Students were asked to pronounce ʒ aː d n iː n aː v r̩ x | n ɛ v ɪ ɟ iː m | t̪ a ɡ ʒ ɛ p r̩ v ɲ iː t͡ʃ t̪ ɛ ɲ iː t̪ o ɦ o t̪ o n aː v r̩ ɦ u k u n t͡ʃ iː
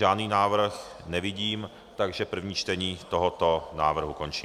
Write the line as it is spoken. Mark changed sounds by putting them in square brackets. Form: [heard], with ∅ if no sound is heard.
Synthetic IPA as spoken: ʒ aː d n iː n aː v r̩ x | n ɛ v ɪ ɟ iː m | t̪ a ɡ ʒ ɛ p r̩ v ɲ iː t͡ʃ t̪ ɛ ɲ iː t̪ o ɦ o t̪ o n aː v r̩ ɦ u k [o] n t͡ʃ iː